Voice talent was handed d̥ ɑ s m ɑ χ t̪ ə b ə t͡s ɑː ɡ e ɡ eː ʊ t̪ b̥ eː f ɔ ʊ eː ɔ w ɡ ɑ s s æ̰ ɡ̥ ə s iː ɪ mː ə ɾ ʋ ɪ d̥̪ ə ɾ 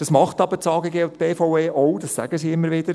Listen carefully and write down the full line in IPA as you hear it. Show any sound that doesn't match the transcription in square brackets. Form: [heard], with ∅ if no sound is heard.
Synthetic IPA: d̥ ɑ s m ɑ χ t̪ [ɑ] b ə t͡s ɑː ɡ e ɡ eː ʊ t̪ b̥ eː f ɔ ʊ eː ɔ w [d] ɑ s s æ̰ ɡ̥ ə s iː ɪ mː ə ɾ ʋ ɪ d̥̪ ə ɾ